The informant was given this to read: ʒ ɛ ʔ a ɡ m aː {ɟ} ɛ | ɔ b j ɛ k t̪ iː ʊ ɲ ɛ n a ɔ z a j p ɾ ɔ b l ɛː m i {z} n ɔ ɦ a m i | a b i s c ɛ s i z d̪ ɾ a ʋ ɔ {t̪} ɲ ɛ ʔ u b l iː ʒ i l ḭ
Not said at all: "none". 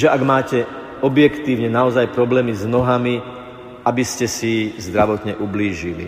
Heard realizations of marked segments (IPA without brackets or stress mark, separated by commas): c, z, t̪